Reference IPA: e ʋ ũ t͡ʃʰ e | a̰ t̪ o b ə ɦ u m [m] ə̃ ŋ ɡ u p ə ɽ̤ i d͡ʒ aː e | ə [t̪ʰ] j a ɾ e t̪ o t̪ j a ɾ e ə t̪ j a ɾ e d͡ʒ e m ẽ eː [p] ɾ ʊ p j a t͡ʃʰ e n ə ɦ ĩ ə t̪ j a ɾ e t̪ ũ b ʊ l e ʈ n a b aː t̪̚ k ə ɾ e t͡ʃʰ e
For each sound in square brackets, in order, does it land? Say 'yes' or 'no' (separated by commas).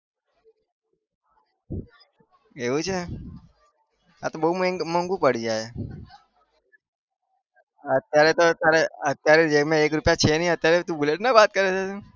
yes, no, no